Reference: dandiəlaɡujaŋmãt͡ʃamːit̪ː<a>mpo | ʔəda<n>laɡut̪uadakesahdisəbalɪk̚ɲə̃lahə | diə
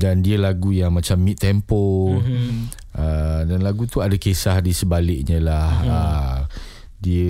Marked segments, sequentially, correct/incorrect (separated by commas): incorrect, correct